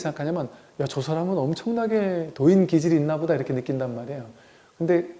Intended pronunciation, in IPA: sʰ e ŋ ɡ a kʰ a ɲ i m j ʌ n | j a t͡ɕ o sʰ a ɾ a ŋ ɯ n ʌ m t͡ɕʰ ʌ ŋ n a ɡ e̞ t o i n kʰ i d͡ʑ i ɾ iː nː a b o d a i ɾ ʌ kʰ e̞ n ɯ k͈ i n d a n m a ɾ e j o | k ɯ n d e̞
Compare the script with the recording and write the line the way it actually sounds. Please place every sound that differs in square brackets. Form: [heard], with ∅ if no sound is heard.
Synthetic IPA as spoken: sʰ e ŋ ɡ a kʰ a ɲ [a] m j ʌ n | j a t͡ɕ o sʰ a ɾ a ŋ ɯ n ʌ m t͡ɕʰ ʌ ŋ n a ɡ e̞ t o i n [k] i d͡ʑ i ɾ iː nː a b o d a i ɾ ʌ kʰ e̞ n ɯ k͈ i n d a n m a ɾ e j o | k ɯ n d e̞